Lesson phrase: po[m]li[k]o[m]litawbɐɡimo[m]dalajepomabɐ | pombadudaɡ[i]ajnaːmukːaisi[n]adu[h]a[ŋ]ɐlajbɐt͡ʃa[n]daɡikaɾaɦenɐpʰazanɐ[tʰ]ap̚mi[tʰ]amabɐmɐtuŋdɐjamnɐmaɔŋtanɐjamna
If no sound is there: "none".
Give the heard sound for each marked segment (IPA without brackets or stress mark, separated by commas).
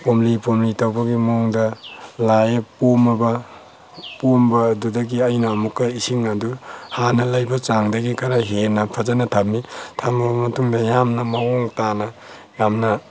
m, p, m, ŋ, i, ŋ, h, n, ŋ, tʰ, tʰ